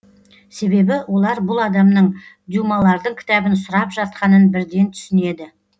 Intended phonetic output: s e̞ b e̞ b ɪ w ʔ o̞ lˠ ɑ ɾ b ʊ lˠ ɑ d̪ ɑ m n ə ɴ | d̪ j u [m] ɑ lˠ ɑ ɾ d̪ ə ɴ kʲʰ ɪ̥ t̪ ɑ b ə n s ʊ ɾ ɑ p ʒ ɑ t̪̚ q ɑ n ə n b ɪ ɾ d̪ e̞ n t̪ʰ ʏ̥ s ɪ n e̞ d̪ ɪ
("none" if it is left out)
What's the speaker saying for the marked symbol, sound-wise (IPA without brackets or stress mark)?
m